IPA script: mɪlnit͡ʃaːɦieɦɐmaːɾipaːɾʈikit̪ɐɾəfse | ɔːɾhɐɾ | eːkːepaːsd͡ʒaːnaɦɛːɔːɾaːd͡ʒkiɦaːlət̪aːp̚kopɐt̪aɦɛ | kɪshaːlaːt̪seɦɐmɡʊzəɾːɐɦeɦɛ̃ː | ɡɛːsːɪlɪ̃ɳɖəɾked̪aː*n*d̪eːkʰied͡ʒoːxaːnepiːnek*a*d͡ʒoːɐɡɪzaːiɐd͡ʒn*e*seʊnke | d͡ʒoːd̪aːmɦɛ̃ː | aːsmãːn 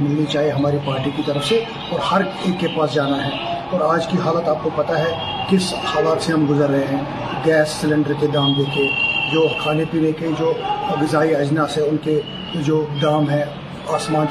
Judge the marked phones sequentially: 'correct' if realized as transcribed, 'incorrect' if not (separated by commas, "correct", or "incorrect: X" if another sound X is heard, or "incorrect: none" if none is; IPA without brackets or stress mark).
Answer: incorrect: m, incorrect: e, incorrect: a